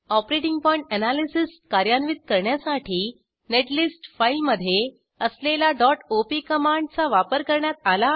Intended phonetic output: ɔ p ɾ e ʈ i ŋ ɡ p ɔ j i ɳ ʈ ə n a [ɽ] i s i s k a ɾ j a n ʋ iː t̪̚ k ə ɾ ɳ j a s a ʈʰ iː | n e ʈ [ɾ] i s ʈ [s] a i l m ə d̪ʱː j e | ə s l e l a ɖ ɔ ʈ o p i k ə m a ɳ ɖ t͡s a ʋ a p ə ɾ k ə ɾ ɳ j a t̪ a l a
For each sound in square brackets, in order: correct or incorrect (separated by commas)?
incorrect, incorrect, incorrect